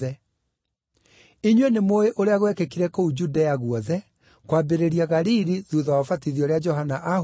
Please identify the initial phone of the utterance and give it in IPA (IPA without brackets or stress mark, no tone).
ɛ